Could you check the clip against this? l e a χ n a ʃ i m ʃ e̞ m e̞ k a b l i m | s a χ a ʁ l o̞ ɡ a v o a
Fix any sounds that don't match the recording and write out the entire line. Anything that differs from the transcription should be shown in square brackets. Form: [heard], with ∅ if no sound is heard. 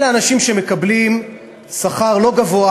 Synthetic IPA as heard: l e a [∅] n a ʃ i m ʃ e̞ m e̞ k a b l i m | s a χ a ʁ l o̞ ɡ a v o a

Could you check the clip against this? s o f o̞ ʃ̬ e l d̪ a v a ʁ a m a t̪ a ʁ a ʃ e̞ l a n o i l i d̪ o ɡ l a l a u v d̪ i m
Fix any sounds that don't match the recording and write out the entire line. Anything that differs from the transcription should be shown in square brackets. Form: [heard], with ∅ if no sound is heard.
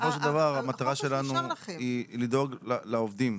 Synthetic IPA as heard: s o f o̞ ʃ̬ e l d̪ a v a ʁ a m a t̪ a ʁ a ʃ e̞ l a n [u] i l i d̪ o ɡ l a l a [o] v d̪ i m

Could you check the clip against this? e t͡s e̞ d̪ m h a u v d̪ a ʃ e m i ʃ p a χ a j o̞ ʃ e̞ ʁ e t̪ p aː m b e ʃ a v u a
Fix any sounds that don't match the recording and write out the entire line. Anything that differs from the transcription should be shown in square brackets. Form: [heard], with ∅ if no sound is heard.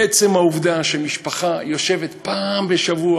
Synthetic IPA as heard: e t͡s e̞ [∅] m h a u v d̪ a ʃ e m i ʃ p a χ a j o̞ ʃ e̞ [v] e t̪ p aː m b e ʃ a v u a

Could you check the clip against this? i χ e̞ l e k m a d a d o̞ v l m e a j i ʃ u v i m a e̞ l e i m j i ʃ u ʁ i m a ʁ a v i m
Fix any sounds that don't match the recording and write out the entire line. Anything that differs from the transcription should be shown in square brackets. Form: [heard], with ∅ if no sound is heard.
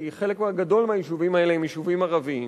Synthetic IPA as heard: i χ e̞ l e k m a [ɡ] a d o̞ [∅] l m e a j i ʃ u v i m a e̞ l e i m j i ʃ u [v] i m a ʁ a v i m

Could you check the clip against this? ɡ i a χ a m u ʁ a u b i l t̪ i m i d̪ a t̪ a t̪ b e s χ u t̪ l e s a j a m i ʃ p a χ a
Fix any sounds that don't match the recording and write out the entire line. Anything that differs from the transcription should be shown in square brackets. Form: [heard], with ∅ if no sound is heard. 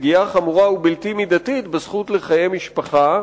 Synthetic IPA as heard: ɡ i a χ a m u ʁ a u b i l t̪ i m i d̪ a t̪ [i] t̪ b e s χ u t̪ l e [χ] a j [e] m i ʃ p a χ a

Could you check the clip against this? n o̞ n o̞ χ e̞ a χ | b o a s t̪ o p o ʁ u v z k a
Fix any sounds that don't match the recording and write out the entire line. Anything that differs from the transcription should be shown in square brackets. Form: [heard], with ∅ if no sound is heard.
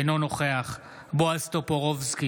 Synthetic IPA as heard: n o̞ n o̞ χ e̞ a χ | b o a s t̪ o p o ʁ [o] v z k [i]

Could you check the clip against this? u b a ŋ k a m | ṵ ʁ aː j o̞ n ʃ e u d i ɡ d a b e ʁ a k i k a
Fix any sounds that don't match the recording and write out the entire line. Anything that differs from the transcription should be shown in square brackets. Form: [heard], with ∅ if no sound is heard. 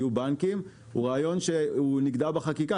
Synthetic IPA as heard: u b a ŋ k [i] m | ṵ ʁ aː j o̞ n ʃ e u [n] i ɡ d a b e [χ] a k i k a

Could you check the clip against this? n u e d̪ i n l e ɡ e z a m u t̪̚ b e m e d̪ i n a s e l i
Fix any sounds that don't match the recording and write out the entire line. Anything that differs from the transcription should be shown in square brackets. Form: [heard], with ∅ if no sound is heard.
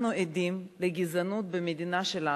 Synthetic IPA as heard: n u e d̪ i [m] l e ɡ [i] z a [n] u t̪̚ b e m e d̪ i n a [ʃ] e l [a]

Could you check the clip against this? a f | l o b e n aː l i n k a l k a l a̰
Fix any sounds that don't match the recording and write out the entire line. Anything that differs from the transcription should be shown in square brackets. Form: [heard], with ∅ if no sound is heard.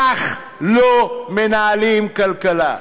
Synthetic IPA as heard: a [χ] | l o [m] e n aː l i [m] k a l k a l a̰

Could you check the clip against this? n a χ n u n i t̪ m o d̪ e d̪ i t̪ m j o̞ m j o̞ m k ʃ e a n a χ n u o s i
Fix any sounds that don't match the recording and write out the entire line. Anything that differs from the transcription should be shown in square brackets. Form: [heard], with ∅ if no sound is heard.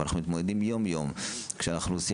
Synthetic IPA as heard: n a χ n u [m] i t̪ m o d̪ e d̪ i [∅] m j o̞ m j o̞ m k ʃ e a n a χ n u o s i

